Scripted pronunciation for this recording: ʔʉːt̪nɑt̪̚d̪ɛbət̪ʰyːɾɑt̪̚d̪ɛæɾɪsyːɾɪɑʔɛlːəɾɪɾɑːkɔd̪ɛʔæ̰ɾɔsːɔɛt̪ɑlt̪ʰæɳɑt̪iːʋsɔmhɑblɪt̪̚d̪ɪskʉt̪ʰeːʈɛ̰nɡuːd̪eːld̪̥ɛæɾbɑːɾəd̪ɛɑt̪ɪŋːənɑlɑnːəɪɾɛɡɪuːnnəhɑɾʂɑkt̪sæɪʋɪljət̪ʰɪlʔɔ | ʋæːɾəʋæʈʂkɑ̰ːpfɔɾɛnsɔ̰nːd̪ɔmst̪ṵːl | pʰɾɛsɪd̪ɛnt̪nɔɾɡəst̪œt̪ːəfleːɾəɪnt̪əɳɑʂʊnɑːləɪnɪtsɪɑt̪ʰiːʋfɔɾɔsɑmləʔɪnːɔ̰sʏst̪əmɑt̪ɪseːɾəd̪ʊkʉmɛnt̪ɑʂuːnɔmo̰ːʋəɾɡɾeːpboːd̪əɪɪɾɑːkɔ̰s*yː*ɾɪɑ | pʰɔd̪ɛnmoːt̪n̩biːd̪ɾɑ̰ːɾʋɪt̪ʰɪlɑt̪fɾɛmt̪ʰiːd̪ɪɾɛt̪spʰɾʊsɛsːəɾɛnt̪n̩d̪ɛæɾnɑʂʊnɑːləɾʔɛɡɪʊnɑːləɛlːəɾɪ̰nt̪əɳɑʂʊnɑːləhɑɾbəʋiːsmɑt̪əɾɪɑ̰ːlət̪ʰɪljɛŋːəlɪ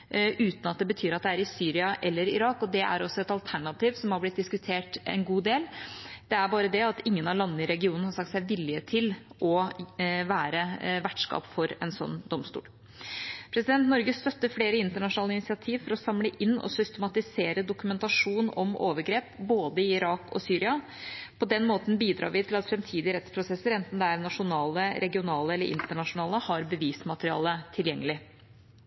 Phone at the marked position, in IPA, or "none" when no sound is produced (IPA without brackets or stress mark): yː